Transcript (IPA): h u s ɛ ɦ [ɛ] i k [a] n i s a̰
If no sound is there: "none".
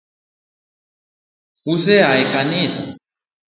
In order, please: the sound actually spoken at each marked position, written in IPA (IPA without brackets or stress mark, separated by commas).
a, a